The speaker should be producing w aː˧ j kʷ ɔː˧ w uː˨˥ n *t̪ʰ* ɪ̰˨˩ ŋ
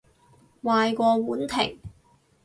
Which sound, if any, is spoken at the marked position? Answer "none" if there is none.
t̪ʰ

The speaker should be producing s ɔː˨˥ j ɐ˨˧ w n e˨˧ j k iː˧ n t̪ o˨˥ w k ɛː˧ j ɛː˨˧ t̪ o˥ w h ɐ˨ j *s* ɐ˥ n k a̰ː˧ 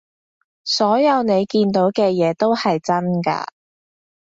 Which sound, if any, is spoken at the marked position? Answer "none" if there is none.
t͡s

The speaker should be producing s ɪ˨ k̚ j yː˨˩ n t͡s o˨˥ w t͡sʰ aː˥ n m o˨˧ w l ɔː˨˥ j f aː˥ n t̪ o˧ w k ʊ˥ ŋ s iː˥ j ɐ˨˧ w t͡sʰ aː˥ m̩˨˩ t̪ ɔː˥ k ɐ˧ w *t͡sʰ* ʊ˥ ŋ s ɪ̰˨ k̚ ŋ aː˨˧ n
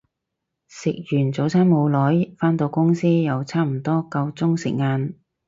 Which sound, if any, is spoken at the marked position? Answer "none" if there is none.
t͡s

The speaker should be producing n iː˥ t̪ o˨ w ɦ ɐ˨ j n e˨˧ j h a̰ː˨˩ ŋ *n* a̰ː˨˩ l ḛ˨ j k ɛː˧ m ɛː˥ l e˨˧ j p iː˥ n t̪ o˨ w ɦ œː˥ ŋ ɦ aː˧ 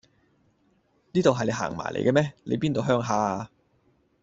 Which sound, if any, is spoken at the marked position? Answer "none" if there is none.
m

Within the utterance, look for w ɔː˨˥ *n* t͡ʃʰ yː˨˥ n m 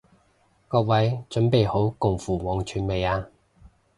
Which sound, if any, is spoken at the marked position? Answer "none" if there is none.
ŋ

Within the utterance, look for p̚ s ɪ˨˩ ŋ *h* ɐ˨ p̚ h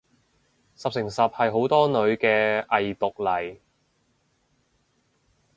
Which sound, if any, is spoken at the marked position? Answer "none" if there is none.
s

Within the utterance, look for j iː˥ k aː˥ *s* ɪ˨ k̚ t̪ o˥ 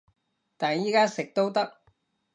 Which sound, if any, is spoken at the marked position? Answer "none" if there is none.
s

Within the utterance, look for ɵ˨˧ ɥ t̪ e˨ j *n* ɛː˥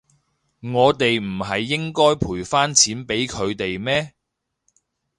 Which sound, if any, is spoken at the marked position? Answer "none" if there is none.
m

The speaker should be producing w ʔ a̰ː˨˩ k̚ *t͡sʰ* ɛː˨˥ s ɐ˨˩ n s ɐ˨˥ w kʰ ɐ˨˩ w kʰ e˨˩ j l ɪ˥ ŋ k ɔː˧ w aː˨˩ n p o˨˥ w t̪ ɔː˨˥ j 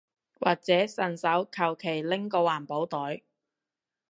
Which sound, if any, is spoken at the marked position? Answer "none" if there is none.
t͡s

